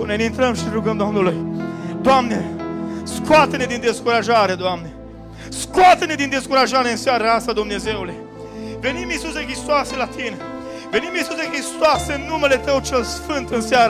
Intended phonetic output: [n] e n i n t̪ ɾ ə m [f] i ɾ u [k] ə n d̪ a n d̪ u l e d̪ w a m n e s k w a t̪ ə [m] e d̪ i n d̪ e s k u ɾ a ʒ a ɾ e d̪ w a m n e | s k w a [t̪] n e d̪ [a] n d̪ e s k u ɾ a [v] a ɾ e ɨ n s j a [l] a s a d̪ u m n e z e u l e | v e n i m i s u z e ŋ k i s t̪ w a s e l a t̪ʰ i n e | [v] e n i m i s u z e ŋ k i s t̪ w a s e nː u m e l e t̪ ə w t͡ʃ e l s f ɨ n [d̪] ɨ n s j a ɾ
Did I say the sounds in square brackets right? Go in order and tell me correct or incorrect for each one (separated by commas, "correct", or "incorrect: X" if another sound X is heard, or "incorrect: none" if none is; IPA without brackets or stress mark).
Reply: correct, incorrect: ʃ, incorrect: ɡ, incorrect: n, correct, incorrect: i, incorrect: ʒ, incorrect: ɾ, correct, incorrect: t̪